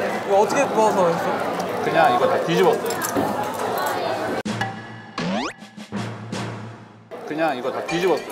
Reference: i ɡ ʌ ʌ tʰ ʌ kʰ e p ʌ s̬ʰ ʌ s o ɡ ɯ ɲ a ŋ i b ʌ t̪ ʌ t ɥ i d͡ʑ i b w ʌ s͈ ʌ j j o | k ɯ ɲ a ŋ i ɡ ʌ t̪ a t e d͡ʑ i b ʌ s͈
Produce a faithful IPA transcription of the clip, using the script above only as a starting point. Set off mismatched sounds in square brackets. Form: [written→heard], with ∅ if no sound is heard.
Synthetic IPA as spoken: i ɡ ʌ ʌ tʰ ʌ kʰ e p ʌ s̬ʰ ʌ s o [ɡ→k] ɯ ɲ a ŋ i [b→ɡ] ʌ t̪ [ʌ→a] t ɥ i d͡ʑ i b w ʌ s͈ ʌ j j o | k ɯ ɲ a ŋ i ɡ ʌ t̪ a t [e→i] d͡ʑ i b ʌ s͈